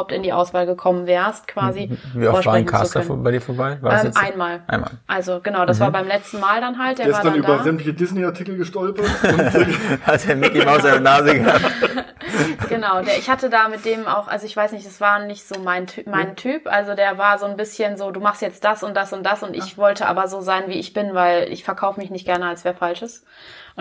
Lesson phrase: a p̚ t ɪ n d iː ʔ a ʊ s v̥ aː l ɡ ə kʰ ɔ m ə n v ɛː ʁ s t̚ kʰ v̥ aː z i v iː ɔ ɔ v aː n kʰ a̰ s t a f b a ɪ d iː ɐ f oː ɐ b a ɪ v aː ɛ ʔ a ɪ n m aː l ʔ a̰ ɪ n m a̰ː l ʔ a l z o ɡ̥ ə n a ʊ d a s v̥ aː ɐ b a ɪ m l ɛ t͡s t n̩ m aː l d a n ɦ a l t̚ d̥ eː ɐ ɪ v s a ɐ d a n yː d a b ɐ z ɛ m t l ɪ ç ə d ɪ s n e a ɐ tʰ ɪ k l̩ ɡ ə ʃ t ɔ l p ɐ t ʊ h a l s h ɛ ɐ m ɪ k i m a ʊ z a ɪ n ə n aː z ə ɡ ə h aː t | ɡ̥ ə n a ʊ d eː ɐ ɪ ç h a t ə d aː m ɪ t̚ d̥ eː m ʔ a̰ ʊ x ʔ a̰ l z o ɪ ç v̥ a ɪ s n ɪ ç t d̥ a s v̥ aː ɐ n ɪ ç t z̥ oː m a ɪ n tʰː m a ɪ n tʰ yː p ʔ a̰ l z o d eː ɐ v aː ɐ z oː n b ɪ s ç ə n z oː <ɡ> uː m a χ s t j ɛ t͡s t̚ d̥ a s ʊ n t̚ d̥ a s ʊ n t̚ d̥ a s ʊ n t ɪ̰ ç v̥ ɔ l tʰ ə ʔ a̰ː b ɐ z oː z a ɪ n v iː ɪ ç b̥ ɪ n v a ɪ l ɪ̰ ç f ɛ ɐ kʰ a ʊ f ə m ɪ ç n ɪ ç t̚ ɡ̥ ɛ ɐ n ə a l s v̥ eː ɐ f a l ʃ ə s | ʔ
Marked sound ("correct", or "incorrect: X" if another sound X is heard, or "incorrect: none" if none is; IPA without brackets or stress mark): incorrect: d